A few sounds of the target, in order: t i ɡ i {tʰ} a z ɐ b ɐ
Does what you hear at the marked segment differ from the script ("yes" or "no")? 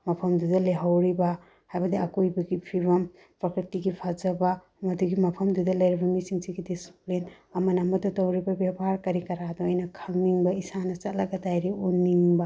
yes